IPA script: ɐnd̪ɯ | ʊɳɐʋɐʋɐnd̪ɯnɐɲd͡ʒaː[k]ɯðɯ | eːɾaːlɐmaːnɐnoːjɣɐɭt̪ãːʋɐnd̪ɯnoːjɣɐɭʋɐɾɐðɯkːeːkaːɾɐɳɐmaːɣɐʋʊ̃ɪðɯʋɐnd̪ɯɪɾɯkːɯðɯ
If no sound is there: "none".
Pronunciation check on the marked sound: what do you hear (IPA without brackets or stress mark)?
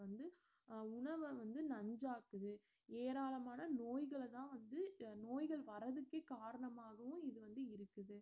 k